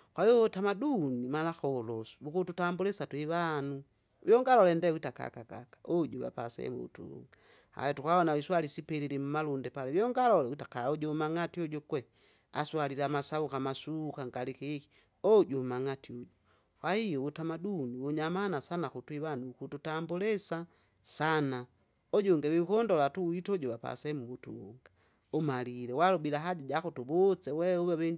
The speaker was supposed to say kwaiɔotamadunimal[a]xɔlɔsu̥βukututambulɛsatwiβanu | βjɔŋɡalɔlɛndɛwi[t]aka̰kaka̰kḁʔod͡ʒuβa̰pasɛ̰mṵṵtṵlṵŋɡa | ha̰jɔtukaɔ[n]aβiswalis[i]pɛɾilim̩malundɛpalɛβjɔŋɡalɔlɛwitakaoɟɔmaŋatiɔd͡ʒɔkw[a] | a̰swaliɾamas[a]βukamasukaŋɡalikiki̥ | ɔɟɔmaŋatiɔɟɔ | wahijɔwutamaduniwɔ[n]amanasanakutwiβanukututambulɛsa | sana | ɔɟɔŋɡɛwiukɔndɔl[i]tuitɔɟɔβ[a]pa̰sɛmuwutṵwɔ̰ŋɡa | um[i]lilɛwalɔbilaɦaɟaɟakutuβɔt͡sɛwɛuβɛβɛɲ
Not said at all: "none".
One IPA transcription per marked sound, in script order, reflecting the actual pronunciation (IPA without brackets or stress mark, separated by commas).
a, t, n, i, ɛ, a, ɲ, a, a, a